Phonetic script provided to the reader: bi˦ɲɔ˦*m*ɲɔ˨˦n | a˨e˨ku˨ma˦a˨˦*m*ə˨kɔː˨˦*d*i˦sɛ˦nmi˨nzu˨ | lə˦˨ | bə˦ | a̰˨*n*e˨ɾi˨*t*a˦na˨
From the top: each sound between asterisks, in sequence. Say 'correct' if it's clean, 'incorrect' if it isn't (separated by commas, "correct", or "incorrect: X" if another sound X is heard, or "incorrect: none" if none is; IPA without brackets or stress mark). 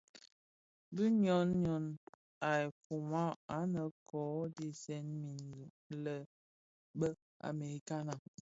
incorrect: n, incorrect: n, correct, incorrect: m, incorrect: k